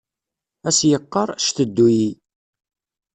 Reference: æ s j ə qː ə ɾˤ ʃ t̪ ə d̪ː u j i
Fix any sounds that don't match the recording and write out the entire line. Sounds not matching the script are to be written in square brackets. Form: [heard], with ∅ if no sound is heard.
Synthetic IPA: æ s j ə qː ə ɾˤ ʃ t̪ ə d̪ː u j i